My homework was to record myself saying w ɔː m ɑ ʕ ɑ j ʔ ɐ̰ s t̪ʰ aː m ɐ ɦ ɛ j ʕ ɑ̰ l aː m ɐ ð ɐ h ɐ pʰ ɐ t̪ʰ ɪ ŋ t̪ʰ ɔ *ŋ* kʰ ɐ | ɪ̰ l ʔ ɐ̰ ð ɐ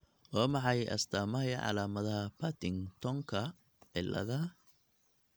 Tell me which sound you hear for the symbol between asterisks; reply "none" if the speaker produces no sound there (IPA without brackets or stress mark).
ŋ